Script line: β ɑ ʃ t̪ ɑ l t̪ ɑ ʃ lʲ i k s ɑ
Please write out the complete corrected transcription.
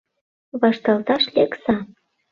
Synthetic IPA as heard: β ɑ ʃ t̪ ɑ l t̪ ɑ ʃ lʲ e k s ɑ